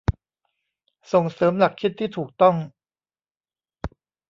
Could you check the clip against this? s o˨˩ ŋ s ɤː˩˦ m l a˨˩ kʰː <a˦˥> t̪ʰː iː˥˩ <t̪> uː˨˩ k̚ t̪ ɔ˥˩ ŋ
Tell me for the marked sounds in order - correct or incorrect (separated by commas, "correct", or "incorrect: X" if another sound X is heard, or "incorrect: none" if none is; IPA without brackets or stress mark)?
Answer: incorrect: i˦˥, incorrect: t̪ʰ